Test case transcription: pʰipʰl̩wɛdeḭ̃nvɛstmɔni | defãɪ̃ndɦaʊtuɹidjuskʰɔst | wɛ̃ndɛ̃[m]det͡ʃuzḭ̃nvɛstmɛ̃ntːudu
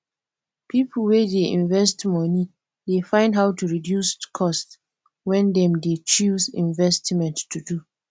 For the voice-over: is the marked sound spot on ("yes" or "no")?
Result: yes